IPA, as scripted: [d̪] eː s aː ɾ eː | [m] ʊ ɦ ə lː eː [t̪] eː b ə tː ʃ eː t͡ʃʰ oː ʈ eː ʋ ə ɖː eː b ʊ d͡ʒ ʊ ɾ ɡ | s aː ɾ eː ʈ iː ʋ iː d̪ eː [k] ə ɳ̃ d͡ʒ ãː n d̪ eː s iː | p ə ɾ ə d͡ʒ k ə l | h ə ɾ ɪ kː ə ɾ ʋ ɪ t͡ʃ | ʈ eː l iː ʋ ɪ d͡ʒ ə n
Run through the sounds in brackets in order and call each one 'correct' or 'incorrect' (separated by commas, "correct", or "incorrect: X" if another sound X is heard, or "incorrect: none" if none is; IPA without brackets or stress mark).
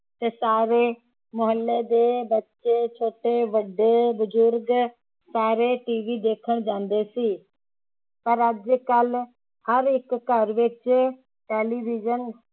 incorrect: t̪, correct, incorrect: d̪, incorrect: kʰ